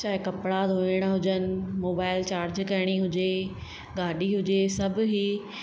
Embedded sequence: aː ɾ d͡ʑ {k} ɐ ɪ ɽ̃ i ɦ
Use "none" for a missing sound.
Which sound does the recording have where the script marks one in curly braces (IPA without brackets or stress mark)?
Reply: k